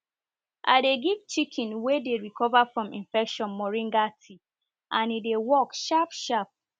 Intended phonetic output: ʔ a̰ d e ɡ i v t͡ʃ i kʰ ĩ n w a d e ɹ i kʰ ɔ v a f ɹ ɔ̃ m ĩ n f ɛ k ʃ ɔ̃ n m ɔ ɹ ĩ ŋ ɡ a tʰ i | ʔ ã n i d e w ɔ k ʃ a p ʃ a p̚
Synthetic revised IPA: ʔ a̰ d e ɡ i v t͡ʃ i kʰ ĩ n w e d e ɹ i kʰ ɔ v a f ɹ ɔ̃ m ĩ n f ɛ k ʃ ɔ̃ n m ɔ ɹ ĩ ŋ ɡ a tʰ i | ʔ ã n i d e w ɔ k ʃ a p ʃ a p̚